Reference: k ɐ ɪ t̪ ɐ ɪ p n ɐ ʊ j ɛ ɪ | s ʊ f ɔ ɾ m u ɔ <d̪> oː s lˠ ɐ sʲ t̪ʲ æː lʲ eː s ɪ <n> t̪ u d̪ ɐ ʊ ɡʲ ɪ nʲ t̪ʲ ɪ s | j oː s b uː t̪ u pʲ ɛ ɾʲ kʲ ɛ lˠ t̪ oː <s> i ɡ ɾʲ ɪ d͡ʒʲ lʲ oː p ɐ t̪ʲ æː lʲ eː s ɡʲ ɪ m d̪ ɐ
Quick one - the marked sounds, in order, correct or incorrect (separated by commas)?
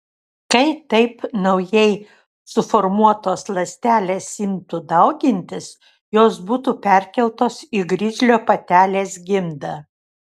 incorrect, incorrect, correct